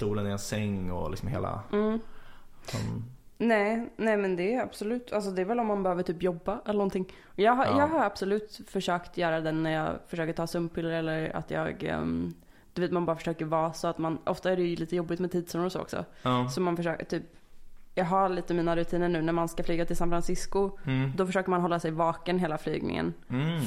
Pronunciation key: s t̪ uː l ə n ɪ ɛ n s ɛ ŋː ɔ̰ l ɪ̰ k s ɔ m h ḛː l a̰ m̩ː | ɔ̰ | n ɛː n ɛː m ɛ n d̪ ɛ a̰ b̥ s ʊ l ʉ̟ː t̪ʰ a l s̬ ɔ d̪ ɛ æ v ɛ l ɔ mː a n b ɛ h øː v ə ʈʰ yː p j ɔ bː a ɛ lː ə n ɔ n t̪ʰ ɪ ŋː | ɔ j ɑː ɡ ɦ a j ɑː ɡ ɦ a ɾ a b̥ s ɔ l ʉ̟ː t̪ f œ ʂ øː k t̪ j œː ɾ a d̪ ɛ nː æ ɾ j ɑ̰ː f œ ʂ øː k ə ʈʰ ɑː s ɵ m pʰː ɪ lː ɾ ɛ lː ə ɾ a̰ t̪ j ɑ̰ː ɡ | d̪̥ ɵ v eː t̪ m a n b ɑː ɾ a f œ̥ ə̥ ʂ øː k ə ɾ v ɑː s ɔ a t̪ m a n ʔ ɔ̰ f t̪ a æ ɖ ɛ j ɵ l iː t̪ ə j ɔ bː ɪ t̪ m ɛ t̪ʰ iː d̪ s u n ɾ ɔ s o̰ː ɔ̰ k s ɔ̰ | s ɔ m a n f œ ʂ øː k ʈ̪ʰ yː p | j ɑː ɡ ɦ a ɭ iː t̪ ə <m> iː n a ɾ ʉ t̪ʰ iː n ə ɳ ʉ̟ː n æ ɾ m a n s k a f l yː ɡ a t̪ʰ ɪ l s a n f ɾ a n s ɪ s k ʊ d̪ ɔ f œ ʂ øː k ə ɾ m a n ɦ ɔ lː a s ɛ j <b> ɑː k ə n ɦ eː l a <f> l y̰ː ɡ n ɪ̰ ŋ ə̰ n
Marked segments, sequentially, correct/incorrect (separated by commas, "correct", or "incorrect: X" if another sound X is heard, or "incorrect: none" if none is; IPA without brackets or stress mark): correct, incorrect: v, correct